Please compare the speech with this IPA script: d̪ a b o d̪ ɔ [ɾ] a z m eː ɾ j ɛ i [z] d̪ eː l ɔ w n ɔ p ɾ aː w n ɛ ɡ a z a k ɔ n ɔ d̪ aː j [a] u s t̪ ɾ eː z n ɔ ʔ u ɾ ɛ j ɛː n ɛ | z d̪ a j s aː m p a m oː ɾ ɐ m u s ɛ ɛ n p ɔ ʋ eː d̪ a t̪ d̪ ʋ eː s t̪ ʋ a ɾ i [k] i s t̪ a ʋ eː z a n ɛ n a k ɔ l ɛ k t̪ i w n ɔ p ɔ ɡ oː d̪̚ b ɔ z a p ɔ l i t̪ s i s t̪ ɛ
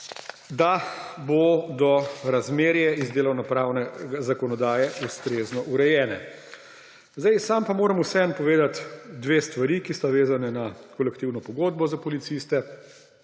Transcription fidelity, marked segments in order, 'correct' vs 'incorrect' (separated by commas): correct, correct, incorrect, correct